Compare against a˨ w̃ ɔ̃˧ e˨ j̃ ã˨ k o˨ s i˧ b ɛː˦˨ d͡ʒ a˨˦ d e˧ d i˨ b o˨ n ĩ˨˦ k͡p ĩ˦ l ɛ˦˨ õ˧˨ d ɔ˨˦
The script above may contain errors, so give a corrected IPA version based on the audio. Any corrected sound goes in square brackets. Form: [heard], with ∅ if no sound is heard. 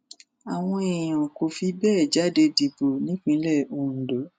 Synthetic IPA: a˨ w̃ ɔ̃˧ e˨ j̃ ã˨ k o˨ [f] i˧ b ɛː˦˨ d͡ʒ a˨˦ d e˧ d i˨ b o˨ n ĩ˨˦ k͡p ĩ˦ l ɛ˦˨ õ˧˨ d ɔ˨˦